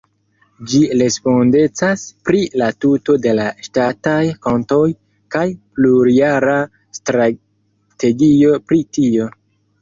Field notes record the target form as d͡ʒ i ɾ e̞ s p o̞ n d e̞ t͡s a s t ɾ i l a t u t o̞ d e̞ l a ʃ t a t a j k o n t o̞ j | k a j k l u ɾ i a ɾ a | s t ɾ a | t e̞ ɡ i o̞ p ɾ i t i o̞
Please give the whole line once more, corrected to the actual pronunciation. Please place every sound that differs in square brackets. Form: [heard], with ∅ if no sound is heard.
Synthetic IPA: d͡ʒ i ɾ e̞ s p o̞ n d e̞ t͡s a s [p] ɾ i l a t u t o̞ d e̞ l a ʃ t a t a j k o n t o̞ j | k a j [p] l u ɾ i a ɾ a | s t ɾ a | t e̞ ɡ i o̞ p ɾ i t i o̞